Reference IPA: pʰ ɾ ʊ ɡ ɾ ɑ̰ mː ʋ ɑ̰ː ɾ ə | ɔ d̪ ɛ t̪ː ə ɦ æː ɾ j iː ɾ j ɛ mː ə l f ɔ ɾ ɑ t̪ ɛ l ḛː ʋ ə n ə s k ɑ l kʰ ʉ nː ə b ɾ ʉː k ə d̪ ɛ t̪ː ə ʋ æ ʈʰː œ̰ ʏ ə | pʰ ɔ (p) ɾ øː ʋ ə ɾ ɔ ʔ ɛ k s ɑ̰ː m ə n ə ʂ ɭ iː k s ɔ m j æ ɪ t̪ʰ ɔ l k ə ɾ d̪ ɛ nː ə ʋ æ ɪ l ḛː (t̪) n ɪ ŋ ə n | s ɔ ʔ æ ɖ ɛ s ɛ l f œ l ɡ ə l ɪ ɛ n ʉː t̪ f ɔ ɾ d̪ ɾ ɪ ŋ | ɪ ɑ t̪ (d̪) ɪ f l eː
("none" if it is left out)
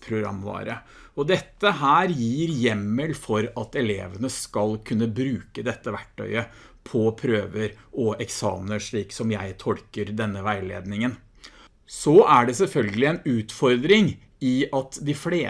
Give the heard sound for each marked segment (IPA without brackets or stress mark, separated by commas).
pʰ, d̪, d̪